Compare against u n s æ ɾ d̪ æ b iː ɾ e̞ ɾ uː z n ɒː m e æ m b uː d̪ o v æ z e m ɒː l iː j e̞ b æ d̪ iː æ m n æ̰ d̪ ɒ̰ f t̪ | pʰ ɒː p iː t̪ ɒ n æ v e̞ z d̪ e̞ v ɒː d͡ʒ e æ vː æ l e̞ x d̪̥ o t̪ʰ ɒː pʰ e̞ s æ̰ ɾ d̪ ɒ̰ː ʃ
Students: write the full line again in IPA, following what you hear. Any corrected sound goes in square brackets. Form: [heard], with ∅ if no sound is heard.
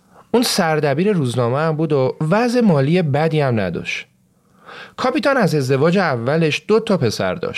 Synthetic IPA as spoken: u n s æ ɾ d̪ æ b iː ɾ e̞ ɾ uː z n ɒː m e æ m b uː d̪ o v æ z e m ɒː l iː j e̞ b æ d̪ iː æ m n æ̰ d̪ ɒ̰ [ʃ] t̪ | [kʰ] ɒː p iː t̪ ɒ n æ [z] e̞ z d̪ e̞ v ɒː d͡ʒ e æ vː æ l e̞ [ʃ] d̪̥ o t̪ʰ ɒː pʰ e̞ s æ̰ ɾ d̪ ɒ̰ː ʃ